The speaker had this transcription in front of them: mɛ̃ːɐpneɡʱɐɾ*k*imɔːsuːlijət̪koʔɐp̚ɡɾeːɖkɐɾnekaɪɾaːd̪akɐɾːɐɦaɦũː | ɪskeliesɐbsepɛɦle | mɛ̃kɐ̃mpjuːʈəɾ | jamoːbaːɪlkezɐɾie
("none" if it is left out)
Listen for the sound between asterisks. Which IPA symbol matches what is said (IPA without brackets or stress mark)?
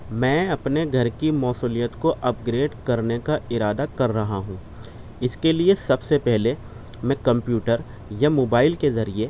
k